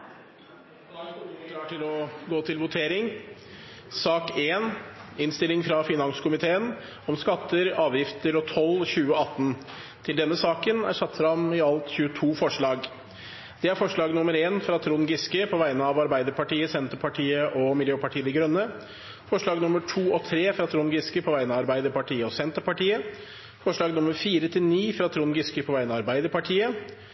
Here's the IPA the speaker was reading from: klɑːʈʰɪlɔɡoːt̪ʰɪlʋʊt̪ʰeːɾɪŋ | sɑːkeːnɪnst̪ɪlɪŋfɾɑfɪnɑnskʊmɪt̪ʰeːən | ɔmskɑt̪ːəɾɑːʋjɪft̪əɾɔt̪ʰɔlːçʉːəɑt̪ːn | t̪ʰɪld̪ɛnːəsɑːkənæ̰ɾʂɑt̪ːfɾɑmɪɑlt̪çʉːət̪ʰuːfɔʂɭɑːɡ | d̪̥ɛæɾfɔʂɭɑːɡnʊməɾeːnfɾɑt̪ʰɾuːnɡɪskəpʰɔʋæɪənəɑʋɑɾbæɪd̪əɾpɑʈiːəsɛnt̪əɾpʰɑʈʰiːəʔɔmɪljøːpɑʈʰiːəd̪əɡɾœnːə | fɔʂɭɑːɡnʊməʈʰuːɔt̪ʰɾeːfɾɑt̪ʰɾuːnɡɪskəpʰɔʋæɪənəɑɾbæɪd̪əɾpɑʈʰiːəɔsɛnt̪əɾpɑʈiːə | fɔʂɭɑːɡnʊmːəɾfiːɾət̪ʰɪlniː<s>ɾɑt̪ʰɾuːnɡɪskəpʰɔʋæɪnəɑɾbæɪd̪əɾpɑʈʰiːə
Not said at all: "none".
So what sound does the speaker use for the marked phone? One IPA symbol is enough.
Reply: f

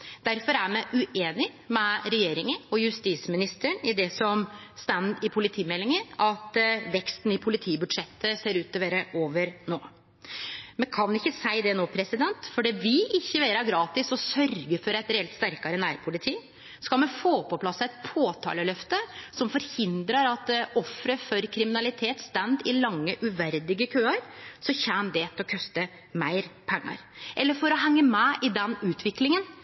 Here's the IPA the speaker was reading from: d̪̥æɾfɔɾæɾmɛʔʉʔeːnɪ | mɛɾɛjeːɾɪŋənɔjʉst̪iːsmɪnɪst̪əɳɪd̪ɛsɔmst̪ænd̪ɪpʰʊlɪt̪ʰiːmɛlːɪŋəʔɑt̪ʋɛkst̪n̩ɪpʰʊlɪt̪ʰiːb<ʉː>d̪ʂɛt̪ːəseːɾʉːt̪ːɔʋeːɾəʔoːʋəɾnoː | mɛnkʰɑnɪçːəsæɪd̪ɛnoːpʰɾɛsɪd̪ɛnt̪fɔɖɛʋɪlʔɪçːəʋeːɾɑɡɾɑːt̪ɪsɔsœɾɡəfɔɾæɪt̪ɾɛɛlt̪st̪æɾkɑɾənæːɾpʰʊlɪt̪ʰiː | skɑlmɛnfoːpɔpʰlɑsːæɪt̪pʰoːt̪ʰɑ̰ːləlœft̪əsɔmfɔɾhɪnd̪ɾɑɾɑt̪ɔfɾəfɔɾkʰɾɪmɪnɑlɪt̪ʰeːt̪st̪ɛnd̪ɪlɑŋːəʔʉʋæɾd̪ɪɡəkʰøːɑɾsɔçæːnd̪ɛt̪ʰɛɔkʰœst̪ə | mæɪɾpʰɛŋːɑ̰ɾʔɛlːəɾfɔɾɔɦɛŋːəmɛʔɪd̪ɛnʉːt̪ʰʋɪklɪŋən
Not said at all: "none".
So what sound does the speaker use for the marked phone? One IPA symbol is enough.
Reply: ʉ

